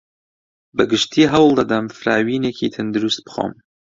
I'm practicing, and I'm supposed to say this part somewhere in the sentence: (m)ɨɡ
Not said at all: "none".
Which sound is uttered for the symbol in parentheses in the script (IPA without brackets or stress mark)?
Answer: b